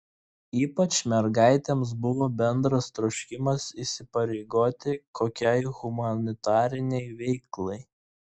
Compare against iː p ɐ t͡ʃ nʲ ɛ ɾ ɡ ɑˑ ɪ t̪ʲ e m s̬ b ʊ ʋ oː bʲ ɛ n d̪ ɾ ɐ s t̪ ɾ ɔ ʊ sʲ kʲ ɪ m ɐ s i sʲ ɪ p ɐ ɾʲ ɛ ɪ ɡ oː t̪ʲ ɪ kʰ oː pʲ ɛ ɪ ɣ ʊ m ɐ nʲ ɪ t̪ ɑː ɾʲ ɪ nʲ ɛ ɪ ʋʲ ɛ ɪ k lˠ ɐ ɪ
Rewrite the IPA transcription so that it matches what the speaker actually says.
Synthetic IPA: iː p ɐ t͡ʃ mʲ ɛ ɾ ɡ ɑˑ ɪ t̪ʲ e m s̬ b ʊ ʋ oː bʲ ɛ n d̪ ɾ ɐ s t̪ ɾ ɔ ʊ ʃʲ kʲ ɪ m ɐ s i sʲ ɪ p ɐ ɾʲ ɛ ɪ ɡ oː t̪ʲ ɪ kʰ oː kʲ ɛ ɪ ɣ ʊ m ɐ nʲ ɪ t̪ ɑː ɾʲ ɪ nʲ ɛ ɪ ʋʲ ɛ ɪ k lˠ ɐ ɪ